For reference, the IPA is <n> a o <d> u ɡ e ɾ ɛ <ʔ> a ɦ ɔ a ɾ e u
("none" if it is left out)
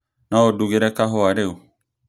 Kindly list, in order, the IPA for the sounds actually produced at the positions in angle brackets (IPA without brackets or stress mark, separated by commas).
n, d, k